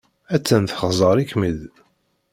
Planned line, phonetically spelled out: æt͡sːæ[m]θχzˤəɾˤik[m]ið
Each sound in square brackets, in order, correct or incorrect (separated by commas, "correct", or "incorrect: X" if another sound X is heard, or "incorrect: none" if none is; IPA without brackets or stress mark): incorrect: n, correct